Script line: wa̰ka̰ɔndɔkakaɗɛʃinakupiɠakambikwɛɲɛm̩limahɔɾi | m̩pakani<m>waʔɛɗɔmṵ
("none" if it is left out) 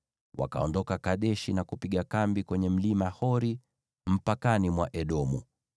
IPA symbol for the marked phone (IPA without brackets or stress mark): m